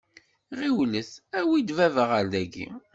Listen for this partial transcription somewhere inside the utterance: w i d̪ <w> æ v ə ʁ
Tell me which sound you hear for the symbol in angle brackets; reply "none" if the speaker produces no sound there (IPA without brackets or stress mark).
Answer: v